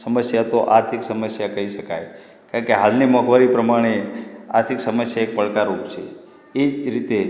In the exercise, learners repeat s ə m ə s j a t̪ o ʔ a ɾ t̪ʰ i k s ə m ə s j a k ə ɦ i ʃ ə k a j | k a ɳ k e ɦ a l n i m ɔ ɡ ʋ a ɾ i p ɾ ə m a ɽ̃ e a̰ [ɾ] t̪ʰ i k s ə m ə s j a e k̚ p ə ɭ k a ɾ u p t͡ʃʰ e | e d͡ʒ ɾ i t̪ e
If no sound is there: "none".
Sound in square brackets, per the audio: ɾ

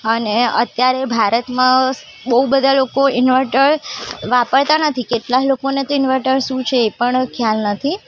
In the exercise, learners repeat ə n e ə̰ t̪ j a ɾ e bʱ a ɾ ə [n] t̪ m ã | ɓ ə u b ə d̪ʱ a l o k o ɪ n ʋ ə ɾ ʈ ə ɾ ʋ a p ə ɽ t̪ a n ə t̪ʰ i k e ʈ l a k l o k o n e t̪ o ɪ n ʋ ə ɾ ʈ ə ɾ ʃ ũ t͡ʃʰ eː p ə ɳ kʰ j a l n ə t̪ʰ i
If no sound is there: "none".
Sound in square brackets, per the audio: none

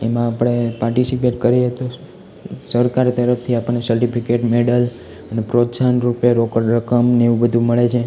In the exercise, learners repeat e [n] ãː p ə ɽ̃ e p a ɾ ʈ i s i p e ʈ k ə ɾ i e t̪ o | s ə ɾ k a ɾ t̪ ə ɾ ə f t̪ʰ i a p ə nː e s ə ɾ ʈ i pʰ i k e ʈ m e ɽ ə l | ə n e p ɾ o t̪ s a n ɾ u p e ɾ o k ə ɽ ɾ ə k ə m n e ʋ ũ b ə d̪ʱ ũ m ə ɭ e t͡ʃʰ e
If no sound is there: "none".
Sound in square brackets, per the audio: m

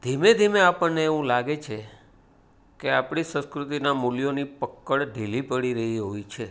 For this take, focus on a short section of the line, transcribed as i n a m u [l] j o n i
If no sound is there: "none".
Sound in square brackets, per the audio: l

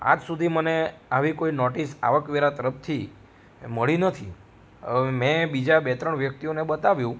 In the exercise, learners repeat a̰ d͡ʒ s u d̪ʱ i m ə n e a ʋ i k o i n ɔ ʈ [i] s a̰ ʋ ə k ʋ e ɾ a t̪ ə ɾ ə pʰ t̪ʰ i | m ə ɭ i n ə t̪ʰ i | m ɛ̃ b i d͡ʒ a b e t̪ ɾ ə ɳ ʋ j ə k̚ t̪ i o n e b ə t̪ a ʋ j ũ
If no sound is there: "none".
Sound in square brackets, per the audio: i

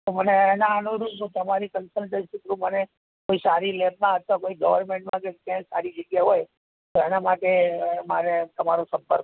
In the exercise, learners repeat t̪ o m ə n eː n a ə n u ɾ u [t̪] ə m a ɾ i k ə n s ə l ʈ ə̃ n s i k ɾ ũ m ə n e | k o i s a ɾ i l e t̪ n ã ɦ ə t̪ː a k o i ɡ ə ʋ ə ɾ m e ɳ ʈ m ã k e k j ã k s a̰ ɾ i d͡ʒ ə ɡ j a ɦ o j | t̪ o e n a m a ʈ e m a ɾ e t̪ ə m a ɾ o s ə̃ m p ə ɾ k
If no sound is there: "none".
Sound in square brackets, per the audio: t̪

